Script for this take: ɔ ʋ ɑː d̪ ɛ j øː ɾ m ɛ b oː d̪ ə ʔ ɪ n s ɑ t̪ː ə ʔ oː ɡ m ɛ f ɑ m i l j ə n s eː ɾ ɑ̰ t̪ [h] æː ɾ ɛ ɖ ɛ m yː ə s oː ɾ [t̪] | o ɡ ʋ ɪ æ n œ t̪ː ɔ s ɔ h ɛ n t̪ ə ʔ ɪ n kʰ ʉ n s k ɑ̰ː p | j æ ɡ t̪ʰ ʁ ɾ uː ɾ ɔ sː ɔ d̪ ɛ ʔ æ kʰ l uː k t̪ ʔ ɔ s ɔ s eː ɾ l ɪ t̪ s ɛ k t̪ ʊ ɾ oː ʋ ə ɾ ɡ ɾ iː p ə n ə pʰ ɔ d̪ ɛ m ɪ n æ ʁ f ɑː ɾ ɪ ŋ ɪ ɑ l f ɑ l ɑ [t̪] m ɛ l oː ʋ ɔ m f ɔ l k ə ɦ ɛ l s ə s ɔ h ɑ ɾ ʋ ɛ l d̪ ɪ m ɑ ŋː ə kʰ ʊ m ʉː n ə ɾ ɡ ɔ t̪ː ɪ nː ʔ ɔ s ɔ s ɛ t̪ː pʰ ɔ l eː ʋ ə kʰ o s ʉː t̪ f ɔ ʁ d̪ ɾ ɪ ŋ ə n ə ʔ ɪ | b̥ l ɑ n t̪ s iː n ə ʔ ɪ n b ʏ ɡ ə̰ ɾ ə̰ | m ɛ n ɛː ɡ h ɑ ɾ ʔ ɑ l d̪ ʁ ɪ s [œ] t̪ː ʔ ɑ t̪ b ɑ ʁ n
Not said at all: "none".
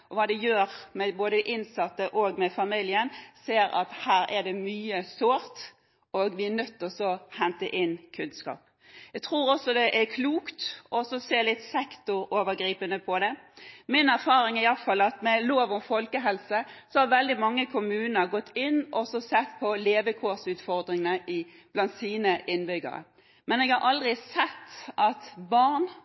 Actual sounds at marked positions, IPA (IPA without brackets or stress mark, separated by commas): h, t̪, t̪, ɛ